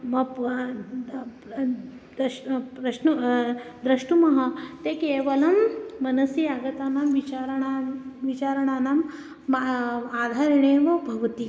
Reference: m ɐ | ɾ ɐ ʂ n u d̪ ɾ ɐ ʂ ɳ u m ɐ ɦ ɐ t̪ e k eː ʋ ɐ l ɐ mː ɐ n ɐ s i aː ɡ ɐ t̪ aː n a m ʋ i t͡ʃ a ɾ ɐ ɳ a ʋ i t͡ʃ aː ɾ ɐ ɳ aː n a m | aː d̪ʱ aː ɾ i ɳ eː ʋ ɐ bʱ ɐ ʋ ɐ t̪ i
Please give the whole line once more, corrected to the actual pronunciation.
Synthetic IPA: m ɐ | ɾ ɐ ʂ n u d̪ ɾ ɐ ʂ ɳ u m ɐ ɦ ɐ t̪ e k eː ʋ ɐ l ɐ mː ɐ n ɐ s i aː ɡ ɐ t̪ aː n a m ʋ i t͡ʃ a ɾ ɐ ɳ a ʋ i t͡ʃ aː ɾ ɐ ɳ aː n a m | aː d̪ʱ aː ɾ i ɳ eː ʋ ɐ bʱ ɐ ʋ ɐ t̪ i

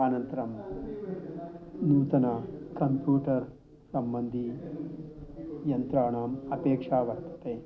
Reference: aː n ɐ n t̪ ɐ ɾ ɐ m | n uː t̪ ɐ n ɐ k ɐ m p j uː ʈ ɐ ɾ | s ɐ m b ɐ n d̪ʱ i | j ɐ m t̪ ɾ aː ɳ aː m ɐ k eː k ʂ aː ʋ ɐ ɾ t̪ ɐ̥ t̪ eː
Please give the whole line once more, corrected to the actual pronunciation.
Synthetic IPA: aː n ɐ n t̪ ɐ ɾ ɐ m | n uː t̪ ɐ n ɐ k ɐ m p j uː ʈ ɐ ɾ | s ɐ m b ɐ n d̪ʱ i | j ɐ n t̪ ɾ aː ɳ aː m ɐ p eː k ʂ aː ʋ ɐ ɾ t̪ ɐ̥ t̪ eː

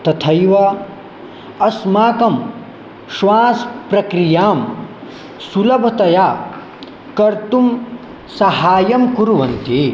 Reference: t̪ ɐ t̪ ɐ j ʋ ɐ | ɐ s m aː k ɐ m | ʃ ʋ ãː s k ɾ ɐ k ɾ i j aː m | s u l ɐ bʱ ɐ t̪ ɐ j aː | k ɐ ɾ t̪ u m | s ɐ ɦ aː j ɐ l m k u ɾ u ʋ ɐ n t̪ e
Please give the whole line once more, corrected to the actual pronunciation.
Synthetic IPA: t̪ ɐ t̪ʰ ɐ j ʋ ɐ | ɐ s m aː k ɐ m | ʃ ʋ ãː s p ɾ ɐ k ɾ i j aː m | s u l ɐ bʱ ɐ t̪ ɐ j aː | k ɐ ɾ t̪ u m | s ɐ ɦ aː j ɐ m k u ɾ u ʋ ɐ n t̪ i

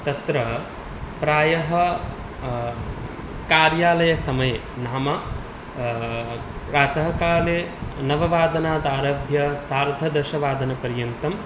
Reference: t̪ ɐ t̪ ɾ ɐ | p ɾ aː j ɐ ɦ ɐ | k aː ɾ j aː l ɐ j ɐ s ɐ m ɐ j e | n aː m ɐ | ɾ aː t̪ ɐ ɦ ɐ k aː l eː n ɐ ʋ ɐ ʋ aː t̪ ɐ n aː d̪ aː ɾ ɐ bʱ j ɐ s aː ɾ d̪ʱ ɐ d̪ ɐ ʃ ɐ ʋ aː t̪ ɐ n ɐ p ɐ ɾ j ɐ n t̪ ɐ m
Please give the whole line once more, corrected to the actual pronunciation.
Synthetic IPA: t̪ ɐ t̪ ɾ ɐ | p ɾ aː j ɐ ɦ ɐ | k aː ɾ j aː l ɐ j ɐ s ɐ m ɐ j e | n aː m ɐ | ɾ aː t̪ ɐ ɦ ɐ k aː l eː n ɐ ʋ ɐ ʋ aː d̪ ɐ n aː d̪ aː ɾ ɐ bʱ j ɐ s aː ɾ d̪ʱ ɐ d̪ ɐ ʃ ɐ ʋ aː d̪ ɐ n ɐ p ɐ ɾ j ɐ n t̪ ɐ m

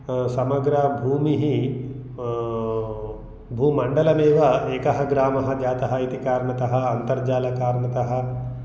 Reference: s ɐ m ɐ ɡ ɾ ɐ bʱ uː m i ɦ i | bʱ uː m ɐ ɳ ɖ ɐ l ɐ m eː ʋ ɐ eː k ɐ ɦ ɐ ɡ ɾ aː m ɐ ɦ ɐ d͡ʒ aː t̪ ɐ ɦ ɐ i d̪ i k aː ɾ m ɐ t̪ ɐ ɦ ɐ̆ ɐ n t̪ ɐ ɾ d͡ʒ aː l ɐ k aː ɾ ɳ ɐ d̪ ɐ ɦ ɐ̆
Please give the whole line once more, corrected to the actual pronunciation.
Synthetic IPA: s ɐ m ɐ ɡ ɾ ɐ bʱ uː m i ɦ i | bʱ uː m ɐ ɳ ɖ ɐ l ɐ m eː ʋ ɐ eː k ɐ ɦ ɐ ɡ ɾ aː m ɐ ɦ ɐ d͡ʒ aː t̪ ɐ ɦ ɐ i t̪ i k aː ɾ ɳ ɐ t̪ ɐ ɦ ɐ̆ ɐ n t̪ ɐ ɾ d͡ʒ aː l ɐ k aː ɾ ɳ ɐ t̪ ɐ ɦ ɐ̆

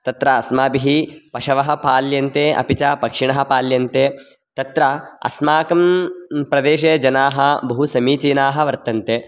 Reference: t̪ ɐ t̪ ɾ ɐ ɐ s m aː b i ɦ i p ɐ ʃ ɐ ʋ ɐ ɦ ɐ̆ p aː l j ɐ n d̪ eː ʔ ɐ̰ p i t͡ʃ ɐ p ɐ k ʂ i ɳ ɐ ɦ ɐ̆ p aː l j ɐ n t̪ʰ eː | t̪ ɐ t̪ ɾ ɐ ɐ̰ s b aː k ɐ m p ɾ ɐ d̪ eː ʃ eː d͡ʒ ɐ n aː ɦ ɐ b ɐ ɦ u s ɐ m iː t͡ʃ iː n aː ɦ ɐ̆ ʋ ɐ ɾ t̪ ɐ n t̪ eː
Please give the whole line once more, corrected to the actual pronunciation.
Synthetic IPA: t̪ ɐ t̪ ɾ ɐ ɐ s m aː b i ɦ i p ɐ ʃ ɐ ʋ ɐ ɦ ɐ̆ p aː l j ɐ n t̪ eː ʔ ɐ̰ p i t͡ʃ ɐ p ɐ k ʂ i ɳ ɐ ɦ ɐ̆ p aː l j ɐ n t̪ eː | t̪ ɐ t̪ ɾ ɐ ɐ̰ s m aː k ɐ m p ɾ ɐ d̪ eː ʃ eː d͡ʒ ɐ n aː ɦ ɐ b ɐ ɦ u s ɐ m iː t͡ʃ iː n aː ɦ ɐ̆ ʋ ɐ ɾ t̪ ɐ n t̪ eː

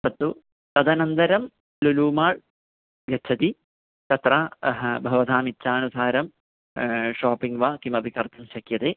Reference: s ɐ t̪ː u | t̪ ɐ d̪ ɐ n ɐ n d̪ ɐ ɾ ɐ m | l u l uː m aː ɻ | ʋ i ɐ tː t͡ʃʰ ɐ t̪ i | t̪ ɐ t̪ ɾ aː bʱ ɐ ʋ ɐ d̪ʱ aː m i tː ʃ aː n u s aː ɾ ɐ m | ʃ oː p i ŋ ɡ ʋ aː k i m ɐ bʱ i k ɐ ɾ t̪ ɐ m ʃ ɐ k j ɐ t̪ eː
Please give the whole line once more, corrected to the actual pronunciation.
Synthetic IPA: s ɐ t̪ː u | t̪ ɐ d̪ ɐ n ɐ n d̪ ɐ ɾ ɐ m | l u l uː m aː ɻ | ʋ j ɐ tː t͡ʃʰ ɐ t̪ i | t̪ ɐ t̪ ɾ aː bʱ ɐ ʋ ɐ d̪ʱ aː m i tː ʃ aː n u s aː ɾ ɐ m | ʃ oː p i ŋ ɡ ʋ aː k i m ɐ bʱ i k ɐ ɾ t̪ ɐ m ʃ ɐ k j ɐ t̪ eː

